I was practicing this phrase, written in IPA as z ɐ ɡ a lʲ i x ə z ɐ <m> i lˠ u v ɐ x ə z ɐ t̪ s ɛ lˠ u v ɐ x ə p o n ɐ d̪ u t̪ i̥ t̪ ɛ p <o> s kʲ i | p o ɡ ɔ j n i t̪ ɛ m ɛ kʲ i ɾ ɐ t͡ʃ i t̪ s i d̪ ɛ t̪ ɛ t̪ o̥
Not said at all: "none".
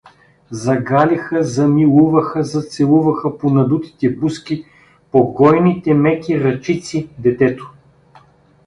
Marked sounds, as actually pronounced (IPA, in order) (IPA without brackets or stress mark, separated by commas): m, u